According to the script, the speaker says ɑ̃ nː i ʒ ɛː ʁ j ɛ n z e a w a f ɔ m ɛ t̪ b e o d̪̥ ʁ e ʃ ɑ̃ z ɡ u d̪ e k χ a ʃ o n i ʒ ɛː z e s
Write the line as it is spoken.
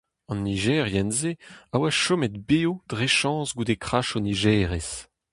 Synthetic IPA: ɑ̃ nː i ʒ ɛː ʁ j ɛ n z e a w a ʃ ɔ m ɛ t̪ b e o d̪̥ ʁ e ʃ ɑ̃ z ɡ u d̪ e k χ a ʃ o n i ʒ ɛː ʁ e s